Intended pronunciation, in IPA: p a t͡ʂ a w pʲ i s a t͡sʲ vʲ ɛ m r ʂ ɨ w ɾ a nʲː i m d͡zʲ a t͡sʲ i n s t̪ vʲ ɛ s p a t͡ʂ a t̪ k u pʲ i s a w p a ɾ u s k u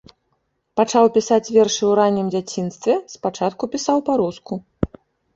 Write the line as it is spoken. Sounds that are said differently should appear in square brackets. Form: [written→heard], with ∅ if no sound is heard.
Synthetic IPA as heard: p a t͡ʂ a w pʲ i s a t͡sʲ vʲ ɛ [m→∅] r ʂ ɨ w ɾ a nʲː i m d͡zʲ a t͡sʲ i n s t̪ vʲ ɛ s p a t͡ʂ a t̪ k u pʲ i s a w p a ɾ u s k u